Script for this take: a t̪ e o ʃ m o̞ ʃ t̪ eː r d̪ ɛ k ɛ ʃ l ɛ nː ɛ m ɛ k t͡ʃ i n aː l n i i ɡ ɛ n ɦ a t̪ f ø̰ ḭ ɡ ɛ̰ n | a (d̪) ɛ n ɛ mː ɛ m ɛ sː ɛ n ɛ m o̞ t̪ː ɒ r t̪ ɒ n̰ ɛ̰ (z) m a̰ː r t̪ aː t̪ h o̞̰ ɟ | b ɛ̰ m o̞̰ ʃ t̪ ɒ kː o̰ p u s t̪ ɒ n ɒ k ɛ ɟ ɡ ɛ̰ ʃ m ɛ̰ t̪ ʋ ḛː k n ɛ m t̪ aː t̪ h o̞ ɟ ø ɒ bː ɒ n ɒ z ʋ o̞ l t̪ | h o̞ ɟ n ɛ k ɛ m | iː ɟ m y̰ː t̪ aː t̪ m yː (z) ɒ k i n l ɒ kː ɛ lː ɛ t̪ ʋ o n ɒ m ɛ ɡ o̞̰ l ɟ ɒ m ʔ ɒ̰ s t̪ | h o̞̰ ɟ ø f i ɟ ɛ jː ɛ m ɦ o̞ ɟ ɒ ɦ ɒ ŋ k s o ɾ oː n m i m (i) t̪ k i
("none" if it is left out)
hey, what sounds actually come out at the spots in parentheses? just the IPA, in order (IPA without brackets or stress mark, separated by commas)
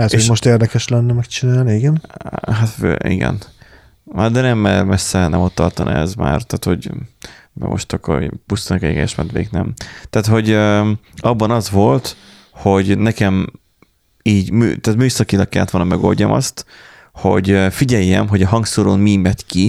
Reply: d̪, z, s, ɛ